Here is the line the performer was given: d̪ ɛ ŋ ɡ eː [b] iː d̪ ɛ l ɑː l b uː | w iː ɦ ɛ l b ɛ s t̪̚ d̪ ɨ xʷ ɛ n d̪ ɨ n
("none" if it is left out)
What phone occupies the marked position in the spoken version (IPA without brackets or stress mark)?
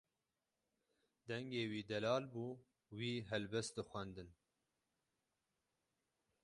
w